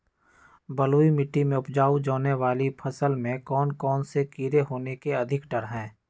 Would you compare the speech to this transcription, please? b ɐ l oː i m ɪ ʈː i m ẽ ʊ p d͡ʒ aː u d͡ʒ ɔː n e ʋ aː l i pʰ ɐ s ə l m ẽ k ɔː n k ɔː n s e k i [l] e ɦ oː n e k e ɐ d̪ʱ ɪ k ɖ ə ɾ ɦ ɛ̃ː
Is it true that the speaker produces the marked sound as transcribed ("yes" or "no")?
no